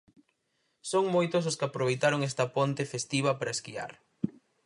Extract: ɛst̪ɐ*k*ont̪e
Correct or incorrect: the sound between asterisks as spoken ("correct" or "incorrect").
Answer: incorrect